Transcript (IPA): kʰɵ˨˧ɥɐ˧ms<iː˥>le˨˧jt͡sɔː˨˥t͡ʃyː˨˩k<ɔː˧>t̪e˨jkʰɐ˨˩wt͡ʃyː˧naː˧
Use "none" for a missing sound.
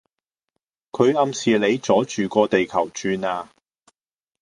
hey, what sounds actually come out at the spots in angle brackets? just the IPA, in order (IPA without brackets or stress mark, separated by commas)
iː˨, ɔː˧